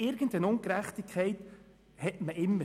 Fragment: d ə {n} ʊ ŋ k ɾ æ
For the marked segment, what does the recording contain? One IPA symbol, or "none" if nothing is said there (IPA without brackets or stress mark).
n